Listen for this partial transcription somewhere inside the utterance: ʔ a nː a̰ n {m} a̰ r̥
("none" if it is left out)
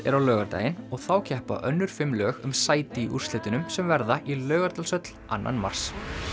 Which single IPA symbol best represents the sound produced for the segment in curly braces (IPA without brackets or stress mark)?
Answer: m